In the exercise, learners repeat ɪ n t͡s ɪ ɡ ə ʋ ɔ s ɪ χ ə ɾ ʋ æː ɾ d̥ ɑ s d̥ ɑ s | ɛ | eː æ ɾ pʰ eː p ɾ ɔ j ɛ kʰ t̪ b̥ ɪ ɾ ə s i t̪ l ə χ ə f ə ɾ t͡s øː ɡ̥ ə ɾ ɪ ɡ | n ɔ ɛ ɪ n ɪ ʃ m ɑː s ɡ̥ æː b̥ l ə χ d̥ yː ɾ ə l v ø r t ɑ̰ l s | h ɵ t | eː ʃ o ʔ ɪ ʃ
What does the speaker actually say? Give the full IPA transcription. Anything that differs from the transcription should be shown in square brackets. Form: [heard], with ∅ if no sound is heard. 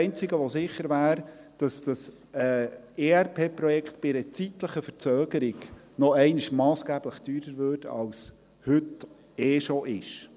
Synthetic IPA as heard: ɪ n t͡s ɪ ɡ ə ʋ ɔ s ɪ χ ə ɾ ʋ æː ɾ d̥ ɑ s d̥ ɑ s | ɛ | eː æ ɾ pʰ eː p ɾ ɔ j ɛ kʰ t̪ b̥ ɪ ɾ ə [t͡s] i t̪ l ə χ ə f ə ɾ t͡s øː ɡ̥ ə ɾ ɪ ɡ | n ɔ ɛ ɪ n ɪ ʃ m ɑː s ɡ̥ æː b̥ l ə χ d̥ yː ɾ ə [ɾ] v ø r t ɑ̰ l s | h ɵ t | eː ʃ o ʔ ɪ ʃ